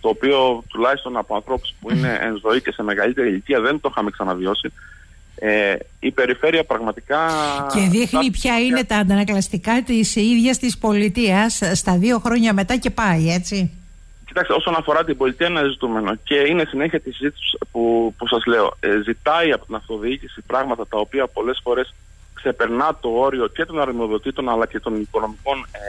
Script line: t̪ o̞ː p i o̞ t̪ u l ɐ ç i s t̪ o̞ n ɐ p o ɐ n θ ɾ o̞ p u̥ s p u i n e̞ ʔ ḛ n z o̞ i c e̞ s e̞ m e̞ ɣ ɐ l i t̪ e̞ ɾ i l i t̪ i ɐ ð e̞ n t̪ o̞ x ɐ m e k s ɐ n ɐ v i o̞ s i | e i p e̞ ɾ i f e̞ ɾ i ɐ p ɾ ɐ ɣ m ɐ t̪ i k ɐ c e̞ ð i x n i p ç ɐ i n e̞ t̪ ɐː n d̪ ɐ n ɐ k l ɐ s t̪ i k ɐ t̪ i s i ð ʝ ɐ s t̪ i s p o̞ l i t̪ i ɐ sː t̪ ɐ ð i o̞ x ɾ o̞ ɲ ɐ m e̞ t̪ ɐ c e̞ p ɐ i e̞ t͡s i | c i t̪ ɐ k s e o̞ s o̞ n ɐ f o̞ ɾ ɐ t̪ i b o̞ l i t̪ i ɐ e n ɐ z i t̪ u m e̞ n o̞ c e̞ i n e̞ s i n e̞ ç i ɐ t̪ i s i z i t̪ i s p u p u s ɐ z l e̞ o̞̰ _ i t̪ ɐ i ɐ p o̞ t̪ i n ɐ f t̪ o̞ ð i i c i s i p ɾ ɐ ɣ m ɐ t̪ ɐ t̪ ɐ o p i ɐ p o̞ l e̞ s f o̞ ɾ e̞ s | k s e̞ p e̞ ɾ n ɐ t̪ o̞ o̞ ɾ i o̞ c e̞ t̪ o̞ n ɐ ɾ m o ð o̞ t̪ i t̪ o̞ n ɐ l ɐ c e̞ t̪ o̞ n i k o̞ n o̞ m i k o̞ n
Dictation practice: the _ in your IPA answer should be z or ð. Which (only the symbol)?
z